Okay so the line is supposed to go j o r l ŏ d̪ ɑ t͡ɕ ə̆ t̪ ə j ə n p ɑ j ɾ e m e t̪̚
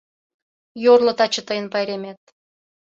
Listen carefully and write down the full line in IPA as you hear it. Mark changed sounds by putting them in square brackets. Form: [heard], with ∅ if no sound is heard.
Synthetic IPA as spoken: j o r l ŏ [t̪] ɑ t͡ɕ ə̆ t̪ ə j ə n p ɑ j ɾ e m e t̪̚